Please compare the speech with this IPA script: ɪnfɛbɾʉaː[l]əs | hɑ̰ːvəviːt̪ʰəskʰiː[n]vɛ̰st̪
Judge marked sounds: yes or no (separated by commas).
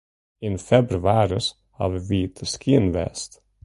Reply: no, yes